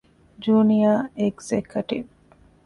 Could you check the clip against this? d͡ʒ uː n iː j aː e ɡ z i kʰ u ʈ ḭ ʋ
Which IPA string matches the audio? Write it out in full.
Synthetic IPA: d͡ʒ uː n i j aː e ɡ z e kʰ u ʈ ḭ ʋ